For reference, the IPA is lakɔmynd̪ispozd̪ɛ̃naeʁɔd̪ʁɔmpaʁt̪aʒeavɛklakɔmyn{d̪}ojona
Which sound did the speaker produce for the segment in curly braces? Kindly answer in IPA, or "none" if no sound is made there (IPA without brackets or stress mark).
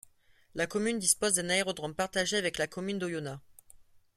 d̪